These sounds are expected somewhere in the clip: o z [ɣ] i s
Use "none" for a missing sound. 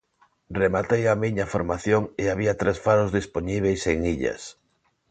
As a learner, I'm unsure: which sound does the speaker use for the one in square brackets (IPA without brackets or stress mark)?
ð